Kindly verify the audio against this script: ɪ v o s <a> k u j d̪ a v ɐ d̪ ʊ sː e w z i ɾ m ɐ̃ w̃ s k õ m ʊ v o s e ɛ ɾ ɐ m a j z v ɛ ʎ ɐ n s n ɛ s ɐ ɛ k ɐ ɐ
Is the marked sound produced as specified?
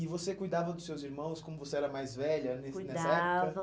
no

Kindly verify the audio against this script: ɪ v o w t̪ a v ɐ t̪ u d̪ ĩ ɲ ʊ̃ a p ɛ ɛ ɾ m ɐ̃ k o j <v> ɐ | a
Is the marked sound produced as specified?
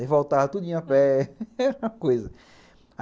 no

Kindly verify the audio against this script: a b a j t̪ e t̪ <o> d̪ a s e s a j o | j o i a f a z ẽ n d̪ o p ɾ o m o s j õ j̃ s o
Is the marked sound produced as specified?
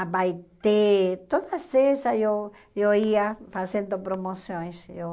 yes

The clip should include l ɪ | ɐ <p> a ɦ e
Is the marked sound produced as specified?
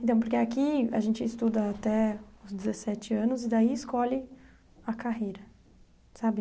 no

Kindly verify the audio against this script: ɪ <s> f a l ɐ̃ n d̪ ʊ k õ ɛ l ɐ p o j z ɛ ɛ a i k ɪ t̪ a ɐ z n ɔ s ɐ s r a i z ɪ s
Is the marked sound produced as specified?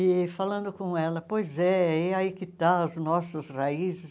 no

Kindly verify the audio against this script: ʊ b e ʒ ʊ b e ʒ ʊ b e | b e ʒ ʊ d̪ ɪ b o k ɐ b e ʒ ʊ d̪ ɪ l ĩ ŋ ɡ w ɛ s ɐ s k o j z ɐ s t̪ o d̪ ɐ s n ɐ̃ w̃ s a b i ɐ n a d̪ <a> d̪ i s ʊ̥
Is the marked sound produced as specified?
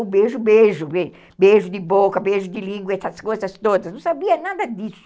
no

